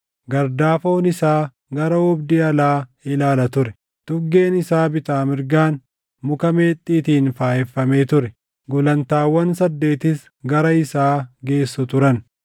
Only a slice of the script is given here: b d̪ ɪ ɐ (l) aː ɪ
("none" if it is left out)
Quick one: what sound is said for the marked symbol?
l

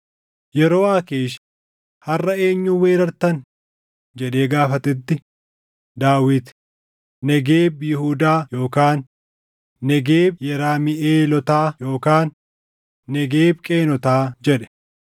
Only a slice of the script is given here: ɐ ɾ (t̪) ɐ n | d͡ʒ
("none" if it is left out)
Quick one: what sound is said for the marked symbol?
t̪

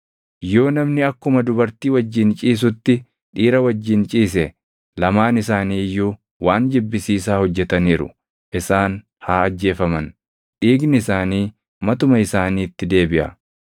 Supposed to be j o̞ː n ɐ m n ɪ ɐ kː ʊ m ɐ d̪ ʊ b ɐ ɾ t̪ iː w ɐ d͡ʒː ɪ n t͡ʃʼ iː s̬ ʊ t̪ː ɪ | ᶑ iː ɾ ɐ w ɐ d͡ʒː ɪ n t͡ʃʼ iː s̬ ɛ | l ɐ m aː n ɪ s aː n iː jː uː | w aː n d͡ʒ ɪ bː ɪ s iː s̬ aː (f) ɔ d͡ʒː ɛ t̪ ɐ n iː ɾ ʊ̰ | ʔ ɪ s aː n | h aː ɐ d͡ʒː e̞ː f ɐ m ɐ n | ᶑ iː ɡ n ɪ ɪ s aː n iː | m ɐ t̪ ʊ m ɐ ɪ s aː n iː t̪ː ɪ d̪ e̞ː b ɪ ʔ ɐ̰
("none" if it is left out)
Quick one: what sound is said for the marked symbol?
h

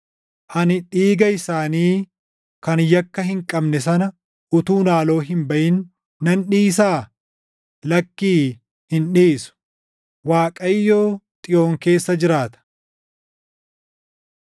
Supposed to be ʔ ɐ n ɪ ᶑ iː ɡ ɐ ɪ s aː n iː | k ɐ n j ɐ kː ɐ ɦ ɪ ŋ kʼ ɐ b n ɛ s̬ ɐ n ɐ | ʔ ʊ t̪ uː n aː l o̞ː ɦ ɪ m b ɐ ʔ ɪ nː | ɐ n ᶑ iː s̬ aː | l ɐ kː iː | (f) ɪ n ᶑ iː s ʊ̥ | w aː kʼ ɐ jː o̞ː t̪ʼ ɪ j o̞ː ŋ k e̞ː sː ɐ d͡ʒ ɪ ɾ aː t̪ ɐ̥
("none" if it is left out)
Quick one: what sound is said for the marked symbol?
h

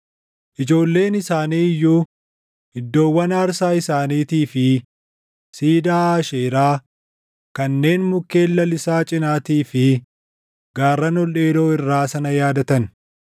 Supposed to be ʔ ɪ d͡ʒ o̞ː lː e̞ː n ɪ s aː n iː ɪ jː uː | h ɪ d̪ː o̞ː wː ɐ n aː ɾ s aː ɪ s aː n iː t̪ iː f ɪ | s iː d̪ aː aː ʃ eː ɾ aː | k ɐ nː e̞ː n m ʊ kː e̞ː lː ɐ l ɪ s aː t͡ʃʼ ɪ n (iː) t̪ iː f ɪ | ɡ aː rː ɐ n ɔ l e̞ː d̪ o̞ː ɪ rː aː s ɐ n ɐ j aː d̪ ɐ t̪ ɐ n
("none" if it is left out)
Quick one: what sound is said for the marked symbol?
aː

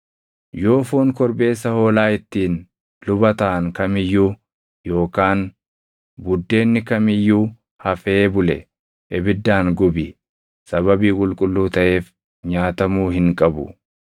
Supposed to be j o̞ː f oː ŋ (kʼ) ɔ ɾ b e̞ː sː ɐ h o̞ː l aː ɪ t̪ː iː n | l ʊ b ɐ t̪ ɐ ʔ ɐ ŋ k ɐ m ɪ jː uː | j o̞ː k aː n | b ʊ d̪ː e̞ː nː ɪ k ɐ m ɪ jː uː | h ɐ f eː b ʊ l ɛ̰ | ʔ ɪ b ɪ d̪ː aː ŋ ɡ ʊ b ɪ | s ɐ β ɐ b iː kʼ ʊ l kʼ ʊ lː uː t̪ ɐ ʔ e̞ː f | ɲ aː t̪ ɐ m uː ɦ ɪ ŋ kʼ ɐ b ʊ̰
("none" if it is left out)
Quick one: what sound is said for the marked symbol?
k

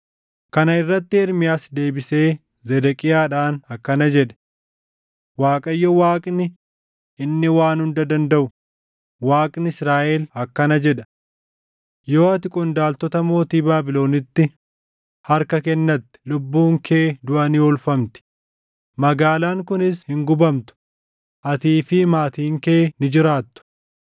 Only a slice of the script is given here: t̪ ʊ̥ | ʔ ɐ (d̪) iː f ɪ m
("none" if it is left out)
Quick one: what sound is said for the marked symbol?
t̪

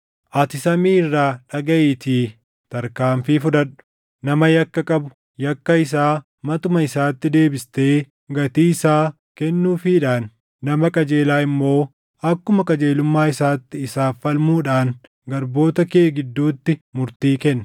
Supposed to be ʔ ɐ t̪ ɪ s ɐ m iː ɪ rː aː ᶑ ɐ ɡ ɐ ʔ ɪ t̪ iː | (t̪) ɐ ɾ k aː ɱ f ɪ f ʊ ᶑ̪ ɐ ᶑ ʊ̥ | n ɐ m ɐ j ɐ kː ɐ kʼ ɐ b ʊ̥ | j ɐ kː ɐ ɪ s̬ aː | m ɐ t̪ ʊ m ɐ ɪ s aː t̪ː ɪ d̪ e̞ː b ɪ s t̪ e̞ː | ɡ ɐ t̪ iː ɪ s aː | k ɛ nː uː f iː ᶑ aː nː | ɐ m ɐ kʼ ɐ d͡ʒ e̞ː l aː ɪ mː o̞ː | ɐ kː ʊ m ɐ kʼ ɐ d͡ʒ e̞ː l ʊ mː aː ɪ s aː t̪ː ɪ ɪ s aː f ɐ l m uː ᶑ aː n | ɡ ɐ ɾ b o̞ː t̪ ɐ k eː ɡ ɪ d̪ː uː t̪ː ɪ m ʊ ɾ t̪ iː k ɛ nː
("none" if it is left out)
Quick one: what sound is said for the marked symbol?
t̪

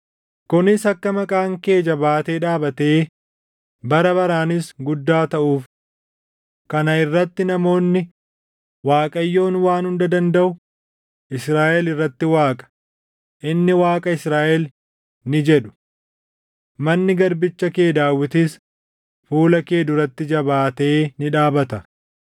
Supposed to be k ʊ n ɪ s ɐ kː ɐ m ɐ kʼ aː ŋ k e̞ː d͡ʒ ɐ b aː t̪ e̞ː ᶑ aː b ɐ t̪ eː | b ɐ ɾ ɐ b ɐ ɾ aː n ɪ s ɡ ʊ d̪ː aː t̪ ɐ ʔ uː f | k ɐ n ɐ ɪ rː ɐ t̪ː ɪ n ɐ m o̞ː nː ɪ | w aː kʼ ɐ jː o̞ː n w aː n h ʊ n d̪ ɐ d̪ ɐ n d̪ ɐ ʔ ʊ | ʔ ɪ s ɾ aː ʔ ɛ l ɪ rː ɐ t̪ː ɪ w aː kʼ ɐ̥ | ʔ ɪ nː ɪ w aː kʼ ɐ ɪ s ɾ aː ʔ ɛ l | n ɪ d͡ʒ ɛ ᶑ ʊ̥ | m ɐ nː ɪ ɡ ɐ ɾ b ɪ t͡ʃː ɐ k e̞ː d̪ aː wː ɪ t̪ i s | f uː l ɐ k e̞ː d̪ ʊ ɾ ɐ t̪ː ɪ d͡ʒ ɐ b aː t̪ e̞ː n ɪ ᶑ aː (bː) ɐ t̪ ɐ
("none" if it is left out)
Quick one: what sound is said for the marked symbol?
b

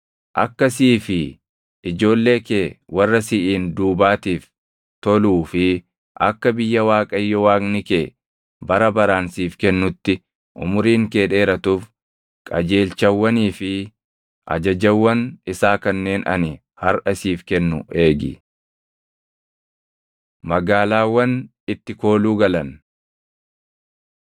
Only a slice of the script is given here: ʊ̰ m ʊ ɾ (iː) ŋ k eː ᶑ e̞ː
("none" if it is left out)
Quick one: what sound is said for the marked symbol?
iː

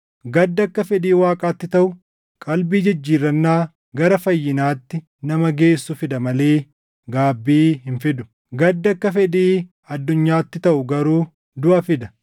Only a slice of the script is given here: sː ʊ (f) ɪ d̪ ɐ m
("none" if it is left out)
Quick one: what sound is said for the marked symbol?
f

